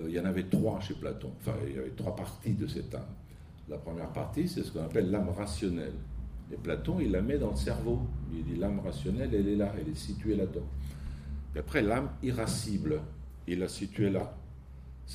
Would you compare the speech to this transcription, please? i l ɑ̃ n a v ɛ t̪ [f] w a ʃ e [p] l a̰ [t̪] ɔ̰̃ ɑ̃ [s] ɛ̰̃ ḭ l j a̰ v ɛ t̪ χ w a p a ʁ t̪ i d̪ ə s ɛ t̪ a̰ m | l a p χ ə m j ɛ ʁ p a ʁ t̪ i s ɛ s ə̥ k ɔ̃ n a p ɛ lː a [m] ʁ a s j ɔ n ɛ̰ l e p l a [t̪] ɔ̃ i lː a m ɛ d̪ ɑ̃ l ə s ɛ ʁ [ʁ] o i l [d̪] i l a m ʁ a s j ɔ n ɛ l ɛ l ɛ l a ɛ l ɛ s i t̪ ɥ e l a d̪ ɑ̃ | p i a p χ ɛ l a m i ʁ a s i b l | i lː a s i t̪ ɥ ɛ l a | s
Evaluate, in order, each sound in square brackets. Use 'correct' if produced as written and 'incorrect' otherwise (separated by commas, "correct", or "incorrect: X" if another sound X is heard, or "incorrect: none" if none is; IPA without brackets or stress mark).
incorrect: χ, correct, correct, incorrect: f, correct, correct, incorrect: v, correct